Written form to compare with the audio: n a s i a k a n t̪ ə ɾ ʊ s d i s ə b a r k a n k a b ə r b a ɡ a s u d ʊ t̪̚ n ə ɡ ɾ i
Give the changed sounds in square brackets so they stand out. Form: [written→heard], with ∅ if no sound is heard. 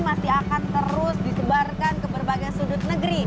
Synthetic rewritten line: [n→m] a s i a k a n t̪ ə ɾ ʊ s d i s ə b a r k a n k [a→ə] b ə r b a ɡ a s u d ʊ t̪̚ n ə ɡ ɾ i